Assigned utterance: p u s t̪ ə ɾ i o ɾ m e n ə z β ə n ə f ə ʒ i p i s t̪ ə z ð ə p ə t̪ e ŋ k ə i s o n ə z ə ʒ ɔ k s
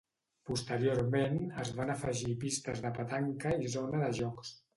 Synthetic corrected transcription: p u s t̪ ə ɾ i o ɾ m e n ə z β a n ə f ə ʒ i p i s t̪ ə z ð ə p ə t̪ a ŋ k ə i z o n ə ð ə ʒ ɔ k s